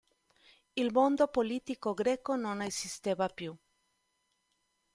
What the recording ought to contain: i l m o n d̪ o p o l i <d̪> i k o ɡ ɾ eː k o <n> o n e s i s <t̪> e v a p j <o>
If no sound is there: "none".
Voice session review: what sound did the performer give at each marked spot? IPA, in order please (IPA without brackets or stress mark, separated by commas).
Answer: t̪, n, t̪, u